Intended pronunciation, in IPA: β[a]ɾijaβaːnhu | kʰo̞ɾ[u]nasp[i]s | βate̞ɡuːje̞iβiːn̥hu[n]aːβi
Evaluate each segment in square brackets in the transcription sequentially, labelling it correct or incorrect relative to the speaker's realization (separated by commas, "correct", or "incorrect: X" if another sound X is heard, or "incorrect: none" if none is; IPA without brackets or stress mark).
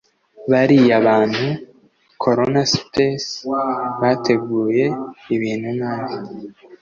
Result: correct, incorrect: o, incorrect: e, correct